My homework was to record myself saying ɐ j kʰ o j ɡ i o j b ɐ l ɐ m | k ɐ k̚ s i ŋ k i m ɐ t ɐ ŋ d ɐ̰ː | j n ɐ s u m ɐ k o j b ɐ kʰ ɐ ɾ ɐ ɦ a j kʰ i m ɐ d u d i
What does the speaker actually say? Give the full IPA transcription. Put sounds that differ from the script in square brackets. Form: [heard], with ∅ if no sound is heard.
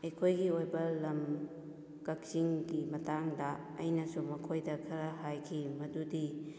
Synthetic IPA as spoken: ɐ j kʰ o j ɡ i o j b ɐ l ɐ m | k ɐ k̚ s i ŋ [ɡ] i m ɐ t [a] ŋ d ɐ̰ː | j n ɐ s u m ɐ [kʰ] o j [d] ɐ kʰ ɐ ɾ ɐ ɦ a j kʰ i m ɐ d u d i

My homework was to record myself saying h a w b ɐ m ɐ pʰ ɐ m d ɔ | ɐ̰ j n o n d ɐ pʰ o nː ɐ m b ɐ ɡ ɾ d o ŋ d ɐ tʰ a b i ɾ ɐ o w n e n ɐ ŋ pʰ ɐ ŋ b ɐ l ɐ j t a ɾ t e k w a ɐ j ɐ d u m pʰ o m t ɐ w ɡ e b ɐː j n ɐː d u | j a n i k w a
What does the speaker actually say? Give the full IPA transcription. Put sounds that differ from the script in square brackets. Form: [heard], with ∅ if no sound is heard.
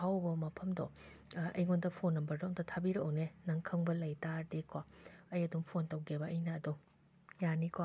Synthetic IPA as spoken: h a w b ɐ m ɐ pʰ ɐ m d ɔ | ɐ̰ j [ŋ] o n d ɐ pʰ o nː ɐ m b ɐ [∅] ɾ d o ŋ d ɐ tʰ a b i ɾ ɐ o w n e n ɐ ŋ [kʰ] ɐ ŋ b ɐ l ɐ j t a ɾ [d] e k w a ɐ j ɐ d u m pʰ o [n] t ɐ w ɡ e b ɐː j n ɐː d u | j a n i k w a

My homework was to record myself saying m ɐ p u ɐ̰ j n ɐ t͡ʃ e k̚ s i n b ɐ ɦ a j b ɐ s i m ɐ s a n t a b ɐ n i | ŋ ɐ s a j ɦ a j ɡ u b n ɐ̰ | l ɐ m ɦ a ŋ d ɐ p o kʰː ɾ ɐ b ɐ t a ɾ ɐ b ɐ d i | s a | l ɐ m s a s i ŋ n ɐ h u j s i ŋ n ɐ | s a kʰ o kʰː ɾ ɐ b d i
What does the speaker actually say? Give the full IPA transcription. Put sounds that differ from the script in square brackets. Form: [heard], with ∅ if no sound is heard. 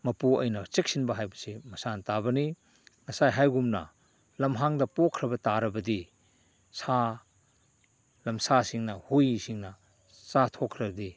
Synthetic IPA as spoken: m ɐ p u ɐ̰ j n ɐ t͡ʃ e k̚ s i n b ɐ ɦ a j b ɐ s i m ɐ s a n t a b ɐ n i | ŋ ɐ s a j ɦ a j ɡ u [m] n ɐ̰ | l ɐ m ɦ a ŋ d ɐ p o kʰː ɾ ɐ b ɐ t a ɾ ɐ b ɐ d i | s a | l ɐ m s a s i ŋ n ɐ h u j s i ŋ n ɐ | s a [tʰ] o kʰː ɾ ɐ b d i

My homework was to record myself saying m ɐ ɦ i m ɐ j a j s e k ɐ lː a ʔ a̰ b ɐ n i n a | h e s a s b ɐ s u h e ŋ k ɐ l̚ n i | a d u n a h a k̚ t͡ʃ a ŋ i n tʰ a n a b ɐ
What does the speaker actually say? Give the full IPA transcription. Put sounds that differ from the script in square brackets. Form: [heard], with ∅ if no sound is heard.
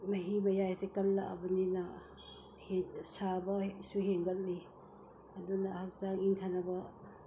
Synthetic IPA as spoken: m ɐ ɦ i m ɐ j a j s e k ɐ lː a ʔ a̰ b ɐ n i n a | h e s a [∅] b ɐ s u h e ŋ [ɡ] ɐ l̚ n i | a d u n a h a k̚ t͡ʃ a ŋ i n tʰ a n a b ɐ

